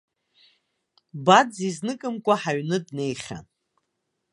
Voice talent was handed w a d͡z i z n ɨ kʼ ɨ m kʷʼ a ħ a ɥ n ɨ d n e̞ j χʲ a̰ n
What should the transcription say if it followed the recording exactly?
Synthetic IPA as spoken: b a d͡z i z n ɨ kʼ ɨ m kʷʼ a ħ a ɥ n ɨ d n e̞ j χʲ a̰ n